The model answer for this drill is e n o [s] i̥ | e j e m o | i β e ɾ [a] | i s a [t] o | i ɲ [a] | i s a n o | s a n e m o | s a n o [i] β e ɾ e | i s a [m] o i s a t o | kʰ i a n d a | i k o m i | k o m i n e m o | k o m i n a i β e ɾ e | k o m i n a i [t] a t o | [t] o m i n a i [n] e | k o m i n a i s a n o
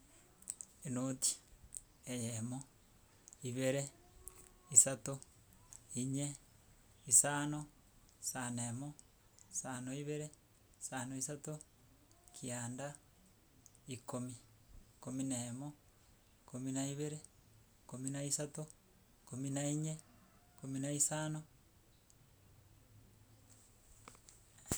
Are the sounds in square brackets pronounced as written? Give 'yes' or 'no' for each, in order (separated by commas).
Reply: no, no, yes, no, yes, no, no, no, no